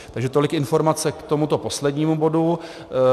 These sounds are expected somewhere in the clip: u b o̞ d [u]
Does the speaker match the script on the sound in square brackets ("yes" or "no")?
yes